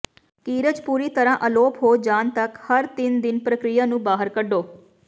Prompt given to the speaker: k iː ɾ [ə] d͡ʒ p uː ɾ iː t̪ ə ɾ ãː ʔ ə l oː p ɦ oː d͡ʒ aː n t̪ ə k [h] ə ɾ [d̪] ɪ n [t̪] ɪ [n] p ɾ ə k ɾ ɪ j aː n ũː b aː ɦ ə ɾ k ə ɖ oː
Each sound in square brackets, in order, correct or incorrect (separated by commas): correct, correct, incorrect, incorrect, correct